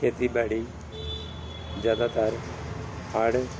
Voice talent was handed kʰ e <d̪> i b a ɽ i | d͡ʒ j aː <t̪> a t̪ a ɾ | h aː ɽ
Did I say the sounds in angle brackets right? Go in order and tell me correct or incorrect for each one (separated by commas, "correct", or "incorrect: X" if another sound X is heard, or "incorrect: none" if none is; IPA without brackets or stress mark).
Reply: incorrect: t̪, incorrect: d̪